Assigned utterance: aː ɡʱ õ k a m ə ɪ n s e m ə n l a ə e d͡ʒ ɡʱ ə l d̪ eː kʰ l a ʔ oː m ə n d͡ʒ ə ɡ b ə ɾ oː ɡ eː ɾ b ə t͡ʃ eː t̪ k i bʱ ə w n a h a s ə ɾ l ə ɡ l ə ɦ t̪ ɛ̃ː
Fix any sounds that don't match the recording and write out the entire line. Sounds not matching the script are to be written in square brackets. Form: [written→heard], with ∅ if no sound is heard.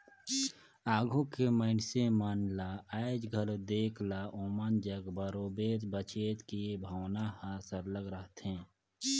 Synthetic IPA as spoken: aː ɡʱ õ k [a→e] m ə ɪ n s e m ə n l a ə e d͡ʒ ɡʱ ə l d̪ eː kʰ l a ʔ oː m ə n d͡ʒ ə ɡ b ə ɾ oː [ɡ→b] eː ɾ b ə t͡ʃ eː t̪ k i bʱ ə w n a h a s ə ɾ l ə ɡ [l→ɾ] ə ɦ t̪ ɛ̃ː